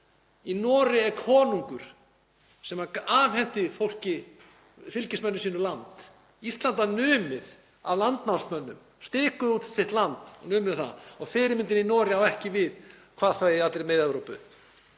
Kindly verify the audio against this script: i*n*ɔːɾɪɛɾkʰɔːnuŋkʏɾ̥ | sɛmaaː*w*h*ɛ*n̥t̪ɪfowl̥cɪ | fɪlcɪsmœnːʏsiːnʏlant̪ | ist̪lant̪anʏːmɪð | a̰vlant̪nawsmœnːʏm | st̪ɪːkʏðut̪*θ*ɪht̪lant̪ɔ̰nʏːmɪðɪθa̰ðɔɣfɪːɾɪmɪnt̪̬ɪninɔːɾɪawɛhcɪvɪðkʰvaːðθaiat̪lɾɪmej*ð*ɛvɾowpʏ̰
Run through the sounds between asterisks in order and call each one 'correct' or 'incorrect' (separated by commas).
correct, incorrect, correct, incorrect, correct